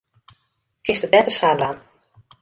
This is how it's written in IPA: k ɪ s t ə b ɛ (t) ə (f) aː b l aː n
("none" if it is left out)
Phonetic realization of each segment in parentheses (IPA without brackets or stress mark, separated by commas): t, s